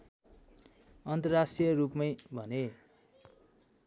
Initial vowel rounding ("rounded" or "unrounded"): unrounded